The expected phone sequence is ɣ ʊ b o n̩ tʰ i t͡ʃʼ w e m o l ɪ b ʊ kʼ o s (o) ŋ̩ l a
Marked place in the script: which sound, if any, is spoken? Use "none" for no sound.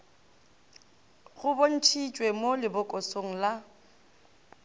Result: o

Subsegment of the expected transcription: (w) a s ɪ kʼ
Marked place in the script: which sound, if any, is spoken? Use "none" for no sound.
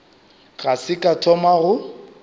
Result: ɣ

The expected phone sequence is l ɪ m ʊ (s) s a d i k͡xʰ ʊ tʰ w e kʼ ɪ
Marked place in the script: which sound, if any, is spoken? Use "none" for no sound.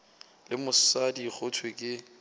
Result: s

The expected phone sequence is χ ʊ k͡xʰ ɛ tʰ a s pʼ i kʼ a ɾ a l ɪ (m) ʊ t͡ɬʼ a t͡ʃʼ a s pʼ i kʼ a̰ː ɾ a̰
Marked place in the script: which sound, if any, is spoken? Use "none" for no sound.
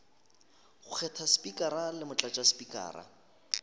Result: m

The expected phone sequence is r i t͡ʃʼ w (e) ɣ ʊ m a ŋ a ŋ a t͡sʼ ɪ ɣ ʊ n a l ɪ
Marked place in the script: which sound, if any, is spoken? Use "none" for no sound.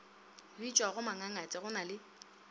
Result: a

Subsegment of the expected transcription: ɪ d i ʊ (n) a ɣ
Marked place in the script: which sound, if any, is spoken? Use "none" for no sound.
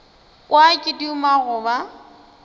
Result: m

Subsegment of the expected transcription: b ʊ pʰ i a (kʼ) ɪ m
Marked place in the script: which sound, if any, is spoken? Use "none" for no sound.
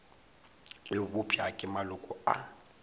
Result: kʼ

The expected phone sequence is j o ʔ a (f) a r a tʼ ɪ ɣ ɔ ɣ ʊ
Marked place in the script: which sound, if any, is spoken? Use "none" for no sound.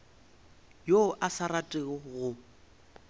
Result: s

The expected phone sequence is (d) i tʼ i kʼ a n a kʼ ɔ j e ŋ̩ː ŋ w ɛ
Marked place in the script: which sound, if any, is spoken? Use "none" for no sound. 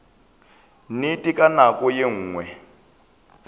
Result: n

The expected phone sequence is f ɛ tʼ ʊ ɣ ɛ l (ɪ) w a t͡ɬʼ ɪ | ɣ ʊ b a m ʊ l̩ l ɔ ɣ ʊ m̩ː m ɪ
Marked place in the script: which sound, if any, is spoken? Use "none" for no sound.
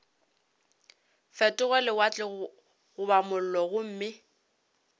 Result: ɪ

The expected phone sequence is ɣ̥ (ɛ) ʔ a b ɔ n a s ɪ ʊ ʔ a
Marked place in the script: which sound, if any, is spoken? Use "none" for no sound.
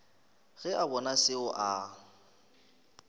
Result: ɛ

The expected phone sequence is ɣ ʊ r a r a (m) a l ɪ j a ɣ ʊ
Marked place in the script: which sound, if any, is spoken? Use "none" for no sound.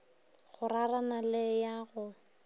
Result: n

